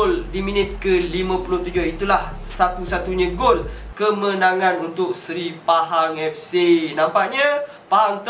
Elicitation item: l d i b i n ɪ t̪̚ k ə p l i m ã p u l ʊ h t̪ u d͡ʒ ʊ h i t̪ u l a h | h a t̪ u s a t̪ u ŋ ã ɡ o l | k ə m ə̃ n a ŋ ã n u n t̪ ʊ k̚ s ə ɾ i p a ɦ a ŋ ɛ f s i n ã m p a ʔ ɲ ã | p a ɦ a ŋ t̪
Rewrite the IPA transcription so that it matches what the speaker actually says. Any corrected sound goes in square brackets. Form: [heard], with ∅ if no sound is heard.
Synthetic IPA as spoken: l d i [m] i n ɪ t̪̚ k ə [∅] l i m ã p u l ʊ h t̪ u d͡ʒ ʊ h i t̪ u l a h | [s] a t̪ u s a t̪ u [ɲ] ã ɡ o l | k ə m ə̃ n a ŋ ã n u n t̪ ʊ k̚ s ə ɾ i p a ɦ a ŋ ɛ f s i n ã m p a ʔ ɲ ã | p a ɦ a ŋ t̪